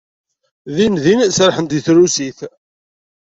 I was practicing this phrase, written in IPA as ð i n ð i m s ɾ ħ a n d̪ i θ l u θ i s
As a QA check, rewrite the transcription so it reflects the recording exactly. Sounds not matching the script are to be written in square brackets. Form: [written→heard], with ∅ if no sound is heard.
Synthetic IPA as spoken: ð i n ð i [m→n] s ɾ ħ [a→ə] n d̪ i θ [l→ɾ] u [θ→s] i [s→θ]